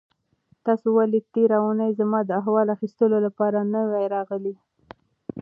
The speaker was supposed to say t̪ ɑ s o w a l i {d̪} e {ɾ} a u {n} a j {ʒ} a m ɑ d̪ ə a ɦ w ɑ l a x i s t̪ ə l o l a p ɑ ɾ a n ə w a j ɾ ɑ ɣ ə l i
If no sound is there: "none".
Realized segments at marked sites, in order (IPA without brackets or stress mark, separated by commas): t̪, ɾ, n, z